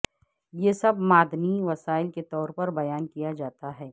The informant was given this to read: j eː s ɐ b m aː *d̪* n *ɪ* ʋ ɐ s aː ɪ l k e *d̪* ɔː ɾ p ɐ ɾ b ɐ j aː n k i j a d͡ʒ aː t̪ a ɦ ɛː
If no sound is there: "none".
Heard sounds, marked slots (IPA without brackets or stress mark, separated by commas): d̪, i, t̪